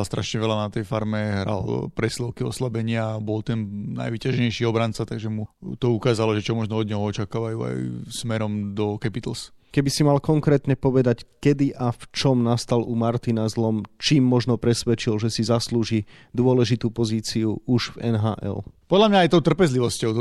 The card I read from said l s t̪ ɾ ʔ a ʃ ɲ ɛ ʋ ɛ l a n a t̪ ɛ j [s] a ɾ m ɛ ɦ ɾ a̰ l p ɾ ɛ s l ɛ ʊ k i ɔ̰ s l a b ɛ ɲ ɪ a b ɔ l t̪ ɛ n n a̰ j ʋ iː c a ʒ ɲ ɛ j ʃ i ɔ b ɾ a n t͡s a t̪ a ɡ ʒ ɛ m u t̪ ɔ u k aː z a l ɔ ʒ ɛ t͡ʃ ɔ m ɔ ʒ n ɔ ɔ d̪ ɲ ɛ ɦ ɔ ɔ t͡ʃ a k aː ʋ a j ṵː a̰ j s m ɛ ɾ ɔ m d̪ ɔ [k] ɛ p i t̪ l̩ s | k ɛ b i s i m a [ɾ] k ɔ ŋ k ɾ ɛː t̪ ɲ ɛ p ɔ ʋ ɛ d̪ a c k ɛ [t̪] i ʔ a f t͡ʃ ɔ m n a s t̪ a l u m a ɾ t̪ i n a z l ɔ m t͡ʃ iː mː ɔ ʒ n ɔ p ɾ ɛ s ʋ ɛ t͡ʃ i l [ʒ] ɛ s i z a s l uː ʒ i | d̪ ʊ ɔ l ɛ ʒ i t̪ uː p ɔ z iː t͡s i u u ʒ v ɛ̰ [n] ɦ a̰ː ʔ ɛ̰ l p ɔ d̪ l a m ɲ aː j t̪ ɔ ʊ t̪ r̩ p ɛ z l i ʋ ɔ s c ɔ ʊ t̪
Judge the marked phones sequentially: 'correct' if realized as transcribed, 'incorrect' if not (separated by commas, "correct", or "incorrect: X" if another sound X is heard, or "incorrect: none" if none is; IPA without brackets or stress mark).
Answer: incorrect: f, correct, incorrect: l, incorrect: d̪, correct, correct